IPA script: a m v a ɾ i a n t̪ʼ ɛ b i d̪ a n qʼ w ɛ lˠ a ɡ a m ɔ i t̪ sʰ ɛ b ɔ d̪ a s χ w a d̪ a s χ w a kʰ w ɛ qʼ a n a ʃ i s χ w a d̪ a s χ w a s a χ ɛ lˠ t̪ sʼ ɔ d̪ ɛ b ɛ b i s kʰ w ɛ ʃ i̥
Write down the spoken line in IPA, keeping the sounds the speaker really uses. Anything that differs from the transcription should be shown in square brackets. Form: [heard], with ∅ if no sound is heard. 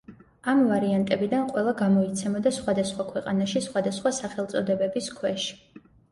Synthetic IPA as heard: a m v a ɾ i a n t̪ʼ ɛ b i d̪ a n qʼ w ɛ lˠ a ɡ a m ɔ i t̪ sʰ ɛ [m] ɔ d̪ a s χ w a d̪ a s χ w a kʰ w ɛ qʼ a n a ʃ i s χ w a d̪ a s χ w a s a χ ɛ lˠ t̪ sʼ ɔ d̪ ɛ b ɛ b i s kʰ w ɛ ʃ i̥